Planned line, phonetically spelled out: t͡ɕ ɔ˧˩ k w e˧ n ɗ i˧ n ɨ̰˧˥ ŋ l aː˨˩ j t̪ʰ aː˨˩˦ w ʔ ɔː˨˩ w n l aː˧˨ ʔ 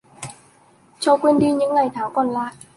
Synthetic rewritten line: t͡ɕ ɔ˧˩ k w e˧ n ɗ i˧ ɲ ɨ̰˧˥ ŋ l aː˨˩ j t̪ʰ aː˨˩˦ w k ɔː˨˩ n l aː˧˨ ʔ